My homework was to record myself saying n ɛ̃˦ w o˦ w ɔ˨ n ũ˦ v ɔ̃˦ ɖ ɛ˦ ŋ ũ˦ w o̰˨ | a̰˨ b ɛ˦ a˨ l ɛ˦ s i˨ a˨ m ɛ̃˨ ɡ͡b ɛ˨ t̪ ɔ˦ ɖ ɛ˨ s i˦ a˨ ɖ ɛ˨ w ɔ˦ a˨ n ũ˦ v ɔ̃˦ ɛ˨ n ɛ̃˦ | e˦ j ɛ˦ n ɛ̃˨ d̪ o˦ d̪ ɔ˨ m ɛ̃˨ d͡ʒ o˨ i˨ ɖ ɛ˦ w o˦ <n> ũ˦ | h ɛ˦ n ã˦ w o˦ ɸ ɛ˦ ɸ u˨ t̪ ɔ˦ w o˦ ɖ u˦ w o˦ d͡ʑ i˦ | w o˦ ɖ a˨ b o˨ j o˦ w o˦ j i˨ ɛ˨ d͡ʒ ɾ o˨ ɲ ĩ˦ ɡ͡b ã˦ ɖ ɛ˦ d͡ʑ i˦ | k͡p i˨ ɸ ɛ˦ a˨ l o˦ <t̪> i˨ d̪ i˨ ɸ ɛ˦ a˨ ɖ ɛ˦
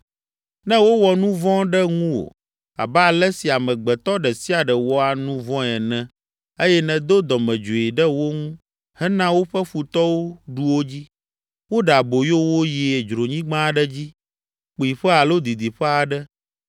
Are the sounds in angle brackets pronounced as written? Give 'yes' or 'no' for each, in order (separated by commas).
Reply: no, no